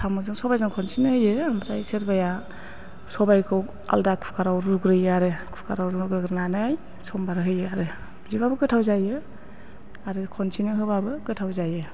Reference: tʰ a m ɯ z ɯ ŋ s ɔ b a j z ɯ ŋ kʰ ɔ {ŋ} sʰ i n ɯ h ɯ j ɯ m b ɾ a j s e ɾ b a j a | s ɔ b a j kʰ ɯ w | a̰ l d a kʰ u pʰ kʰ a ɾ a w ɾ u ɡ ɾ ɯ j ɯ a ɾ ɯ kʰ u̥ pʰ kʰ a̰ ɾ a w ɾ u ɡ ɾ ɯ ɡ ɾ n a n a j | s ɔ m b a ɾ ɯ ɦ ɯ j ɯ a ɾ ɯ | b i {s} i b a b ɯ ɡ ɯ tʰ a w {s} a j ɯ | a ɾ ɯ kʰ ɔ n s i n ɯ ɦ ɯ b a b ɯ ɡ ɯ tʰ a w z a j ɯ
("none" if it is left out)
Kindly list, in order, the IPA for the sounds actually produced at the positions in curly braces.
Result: n, z, z

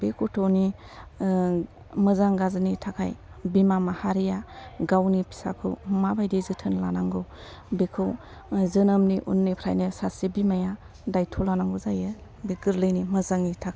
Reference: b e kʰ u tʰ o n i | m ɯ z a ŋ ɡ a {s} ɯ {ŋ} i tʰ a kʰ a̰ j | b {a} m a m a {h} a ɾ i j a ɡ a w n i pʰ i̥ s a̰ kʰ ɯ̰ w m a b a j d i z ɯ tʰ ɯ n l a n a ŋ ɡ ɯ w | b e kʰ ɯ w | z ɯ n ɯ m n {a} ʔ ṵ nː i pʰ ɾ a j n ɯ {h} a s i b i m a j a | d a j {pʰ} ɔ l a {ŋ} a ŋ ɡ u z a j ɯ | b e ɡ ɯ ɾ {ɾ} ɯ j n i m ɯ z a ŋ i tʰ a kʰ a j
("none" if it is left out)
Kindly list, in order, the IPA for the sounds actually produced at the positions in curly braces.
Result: z, n, i, h, i, s, tʰ, n, l

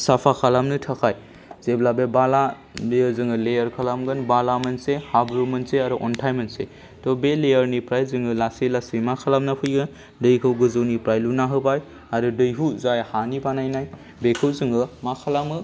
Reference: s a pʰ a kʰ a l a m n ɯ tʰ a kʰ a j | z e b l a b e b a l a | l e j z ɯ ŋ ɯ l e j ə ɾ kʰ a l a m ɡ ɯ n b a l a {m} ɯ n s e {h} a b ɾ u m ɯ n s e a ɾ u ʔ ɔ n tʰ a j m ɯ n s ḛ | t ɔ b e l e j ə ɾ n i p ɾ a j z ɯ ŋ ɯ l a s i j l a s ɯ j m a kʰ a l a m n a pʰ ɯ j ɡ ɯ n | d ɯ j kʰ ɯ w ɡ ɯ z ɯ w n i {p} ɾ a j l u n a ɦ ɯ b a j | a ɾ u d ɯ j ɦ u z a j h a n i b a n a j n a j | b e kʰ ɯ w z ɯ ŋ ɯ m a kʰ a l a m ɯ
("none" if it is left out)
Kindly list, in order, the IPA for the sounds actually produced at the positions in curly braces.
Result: m, h, p

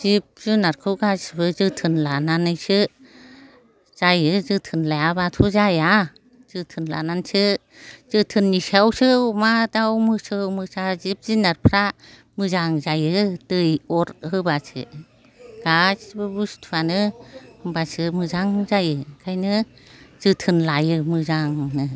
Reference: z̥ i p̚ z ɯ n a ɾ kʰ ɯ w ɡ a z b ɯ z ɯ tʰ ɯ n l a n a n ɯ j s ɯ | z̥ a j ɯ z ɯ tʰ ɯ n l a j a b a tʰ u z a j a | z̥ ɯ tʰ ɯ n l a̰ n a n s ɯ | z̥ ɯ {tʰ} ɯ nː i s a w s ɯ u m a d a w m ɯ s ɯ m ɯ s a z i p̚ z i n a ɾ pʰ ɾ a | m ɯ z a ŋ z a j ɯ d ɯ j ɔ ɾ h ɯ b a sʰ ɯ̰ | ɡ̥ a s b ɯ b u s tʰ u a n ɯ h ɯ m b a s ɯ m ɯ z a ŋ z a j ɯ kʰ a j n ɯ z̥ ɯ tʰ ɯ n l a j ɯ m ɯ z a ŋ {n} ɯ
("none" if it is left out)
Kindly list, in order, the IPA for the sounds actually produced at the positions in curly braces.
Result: tʰ, n

